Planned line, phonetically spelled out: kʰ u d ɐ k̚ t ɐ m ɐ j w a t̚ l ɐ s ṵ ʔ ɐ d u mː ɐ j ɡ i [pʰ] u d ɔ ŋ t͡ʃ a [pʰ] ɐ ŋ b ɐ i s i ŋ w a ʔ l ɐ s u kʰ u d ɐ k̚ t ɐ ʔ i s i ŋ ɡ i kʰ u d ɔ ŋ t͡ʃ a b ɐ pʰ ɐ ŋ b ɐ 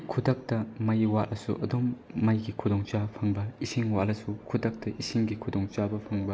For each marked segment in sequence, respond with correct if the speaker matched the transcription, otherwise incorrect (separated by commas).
incorrect, correct